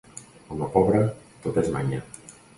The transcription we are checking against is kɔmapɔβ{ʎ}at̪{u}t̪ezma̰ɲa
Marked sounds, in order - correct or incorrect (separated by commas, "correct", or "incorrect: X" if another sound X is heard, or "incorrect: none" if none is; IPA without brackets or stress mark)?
incorrect: ɾ, incorrect: o